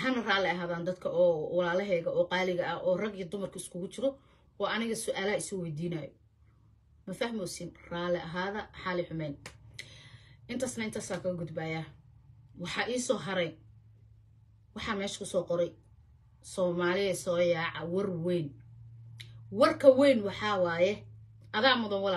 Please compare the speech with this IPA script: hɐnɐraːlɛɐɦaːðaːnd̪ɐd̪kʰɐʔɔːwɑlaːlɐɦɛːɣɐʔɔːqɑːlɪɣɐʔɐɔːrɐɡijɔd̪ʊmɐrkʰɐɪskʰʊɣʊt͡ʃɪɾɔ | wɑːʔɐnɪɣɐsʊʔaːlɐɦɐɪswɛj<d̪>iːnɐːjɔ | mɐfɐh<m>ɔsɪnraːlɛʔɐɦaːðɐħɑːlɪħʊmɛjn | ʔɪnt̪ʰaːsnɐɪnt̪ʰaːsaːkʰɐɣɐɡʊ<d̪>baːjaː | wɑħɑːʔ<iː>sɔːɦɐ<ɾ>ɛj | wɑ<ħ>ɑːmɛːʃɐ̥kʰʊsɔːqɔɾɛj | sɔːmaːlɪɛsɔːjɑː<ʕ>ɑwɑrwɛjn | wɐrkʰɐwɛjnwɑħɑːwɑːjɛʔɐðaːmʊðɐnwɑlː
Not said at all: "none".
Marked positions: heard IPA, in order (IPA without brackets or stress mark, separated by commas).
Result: d̪, m, d̪, iː, ɾ, ħ, ʕ